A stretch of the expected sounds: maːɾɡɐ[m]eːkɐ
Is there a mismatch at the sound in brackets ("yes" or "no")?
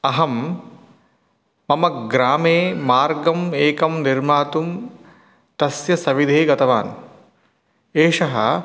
no